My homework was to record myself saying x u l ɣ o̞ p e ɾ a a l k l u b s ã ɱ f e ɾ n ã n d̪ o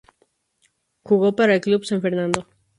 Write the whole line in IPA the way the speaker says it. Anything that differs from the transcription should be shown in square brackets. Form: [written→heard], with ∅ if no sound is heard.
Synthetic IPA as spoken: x u [l→∅] ɣ o̞ p [e→a] ɾ a [a→e] l k l u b s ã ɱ f e ɾ n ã n d̪ o